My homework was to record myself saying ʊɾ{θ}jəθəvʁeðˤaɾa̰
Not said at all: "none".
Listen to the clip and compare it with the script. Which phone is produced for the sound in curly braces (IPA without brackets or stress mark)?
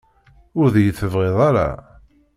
ð